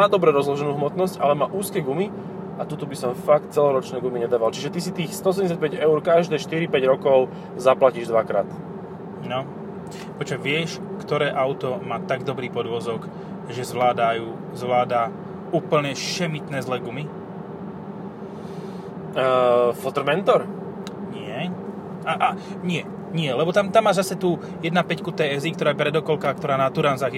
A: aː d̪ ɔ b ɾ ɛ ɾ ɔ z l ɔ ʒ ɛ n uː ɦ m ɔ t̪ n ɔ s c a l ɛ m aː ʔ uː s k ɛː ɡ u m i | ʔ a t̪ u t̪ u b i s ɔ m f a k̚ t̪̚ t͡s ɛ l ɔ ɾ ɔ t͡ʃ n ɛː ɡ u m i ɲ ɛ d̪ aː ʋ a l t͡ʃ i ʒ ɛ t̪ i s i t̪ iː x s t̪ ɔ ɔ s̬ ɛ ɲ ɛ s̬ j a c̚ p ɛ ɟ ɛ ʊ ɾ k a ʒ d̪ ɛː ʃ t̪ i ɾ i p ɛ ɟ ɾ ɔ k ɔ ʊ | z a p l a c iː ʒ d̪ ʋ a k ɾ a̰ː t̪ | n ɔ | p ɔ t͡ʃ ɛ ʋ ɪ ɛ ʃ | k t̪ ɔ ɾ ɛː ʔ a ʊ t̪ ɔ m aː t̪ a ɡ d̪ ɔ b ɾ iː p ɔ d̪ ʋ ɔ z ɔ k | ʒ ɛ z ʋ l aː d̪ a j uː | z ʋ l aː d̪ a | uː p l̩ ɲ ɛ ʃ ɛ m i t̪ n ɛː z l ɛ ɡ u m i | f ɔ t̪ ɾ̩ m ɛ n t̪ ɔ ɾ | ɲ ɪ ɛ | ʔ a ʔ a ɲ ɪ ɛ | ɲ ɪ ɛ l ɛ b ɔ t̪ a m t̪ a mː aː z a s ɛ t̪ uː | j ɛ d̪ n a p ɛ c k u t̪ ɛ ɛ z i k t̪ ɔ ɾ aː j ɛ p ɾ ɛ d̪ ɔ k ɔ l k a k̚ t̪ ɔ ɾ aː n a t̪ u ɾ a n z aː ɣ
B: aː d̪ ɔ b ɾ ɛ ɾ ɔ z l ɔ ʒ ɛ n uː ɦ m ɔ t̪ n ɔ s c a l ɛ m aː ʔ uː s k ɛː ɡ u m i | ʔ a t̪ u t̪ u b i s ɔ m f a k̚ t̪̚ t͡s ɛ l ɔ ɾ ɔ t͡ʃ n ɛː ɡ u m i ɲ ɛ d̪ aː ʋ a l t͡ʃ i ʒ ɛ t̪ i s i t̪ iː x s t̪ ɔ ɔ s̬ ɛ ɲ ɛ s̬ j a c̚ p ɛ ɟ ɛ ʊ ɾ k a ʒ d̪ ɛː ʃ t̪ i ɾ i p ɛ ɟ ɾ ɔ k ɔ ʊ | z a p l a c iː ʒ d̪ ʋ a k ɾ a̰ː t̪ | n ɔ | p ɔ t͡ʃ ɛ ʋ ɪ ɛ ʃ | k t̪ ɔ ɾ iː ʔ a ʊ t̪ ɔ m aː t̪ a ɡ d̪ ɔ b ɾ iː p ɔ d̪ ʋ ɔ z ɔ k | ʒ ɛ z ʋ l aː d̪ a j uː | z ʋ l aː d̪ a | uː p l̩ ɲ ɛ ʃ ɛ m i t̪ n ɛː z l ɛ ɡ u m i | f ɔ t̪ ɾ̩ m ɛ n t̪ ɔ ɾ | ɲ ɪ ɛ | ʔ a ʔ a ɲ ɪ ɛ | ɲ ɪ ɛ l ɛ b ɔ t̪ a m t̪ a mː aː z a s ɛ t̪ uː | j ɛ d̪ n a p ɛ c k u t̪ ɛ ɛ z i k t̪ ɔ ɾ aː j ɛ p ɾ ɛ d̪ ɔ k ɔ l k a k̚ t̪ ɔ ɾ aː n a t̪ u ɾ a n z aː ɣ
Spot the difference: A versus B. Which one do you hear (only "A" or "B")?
A